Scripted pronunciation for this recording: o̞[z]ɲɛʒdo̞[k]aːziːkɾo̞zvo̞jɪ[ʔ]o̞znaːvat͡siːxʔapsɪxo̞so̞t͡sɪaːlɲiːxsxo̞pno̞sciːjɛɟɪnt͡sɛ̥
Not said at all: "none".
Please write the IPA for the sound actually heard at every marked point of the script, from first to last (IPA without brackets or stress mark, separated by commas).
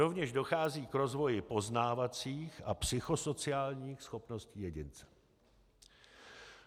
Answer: v, x, p